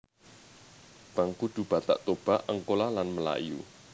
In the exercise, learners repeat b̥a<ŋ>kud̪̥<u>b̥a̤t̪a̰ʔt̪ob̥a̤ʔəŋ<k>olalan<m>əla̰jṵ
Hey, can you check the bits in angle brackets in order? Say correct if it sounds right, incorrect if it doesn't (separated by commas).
correct, correct, correct, correct